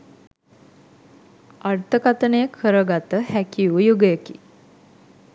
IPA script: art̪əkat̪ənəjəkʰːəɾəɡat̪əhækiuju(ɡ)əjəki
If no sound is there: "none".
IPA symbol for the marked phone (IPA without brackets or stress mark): ɡ